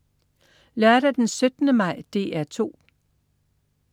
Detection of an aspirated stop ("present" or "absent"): present